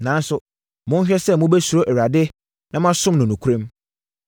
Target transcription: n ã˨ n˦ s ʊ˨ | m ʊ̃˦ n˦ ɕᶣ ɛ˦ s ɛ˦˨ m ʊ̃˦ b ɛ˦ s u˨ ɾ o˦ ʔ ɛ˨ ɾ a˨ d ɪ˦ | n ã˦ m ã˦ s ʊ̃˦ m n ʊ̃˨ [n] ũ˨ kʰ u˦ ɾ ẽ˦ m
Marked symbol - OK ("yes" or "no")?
yes